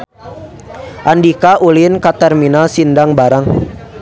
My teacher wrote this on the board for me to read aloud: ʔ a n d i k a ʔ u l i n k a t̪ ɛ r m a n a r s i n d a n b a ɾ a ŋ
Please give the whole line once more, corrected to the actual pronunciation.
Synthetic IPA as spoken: ʔ a n d i k a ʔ u l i n k a t̪ ɛ r m i n a l s i n d a ŋ b a ɾ a ŋ